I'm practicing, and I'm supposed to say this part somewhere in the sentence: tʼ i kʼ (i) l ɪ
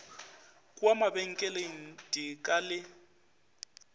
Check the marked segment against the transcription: incorrect: a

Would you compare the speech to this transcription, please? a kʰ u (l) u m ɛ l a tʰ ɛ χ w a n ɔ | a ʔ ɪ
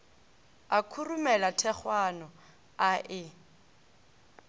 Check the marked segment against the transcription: incorrect: r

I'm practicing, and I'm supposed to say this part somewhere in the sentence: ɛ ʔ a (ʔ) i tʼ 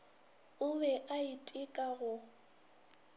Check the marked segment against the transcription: incorrect: none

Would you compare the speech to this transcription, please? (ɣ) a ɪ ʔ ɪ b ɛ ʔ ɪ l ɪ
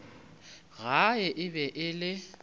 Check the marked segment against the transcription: correct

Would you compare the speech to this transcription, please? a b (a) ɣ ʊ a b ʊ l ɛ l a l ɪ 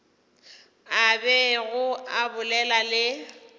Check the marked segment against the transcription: incorrect: ɛ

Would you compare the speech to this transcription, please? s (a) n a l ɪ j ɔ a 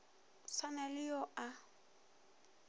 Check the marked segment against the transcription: correct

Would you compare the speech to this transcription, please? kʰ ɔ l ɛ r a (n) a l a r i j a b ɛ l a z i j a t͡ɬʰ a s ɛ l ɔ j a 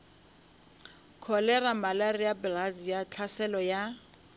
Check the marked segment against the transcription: incorrect: m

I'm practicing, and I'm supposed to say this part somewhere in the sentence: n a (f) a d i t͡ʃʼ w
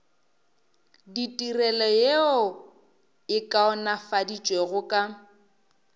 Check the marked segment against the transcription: correct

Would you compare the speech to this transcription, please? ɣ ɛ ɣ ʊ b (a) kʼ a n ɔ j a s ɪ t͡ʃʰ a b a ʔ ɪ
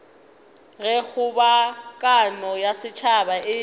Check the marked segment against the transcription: correct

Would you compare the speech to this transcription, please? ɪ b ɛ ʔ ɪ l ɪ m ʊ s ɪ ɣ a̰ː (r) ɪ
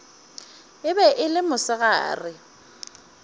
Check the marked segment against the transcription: correct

